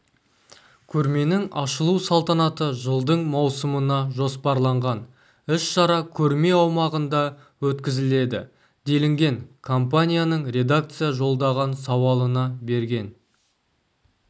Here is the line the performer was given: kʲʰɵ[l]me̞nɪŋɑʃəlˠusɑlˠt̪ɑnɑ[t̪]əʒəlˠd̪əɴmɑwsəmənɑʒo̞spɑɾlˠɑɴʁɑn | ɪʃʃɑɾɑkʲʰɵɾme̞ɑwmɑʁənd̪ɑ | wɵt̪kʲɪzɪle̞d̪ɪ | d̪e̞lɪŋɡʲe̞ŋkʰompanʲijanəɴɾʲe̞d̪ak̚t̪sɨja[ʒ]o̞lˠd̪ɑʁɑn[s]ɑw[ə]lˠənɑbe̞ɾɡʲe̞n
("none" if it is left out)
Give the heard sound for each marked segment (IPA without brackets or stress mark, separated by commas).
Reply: ɾ, t̪, ʒ, s, ɑ